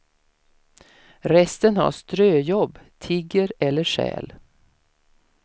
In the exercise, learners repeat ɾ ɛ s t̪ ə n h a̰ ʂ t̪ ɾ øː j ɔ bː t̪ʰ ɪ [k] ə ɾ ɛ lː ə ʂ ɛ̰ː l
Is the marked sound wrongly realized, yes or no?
yes